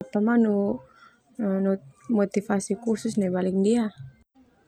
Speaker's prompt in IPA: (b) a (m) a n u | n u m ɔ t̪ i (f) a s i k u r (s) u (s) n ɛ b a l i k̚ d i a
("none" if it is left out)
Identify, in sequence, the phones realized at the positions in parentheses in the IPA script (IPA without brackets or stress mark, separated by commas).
p, m, f, s, s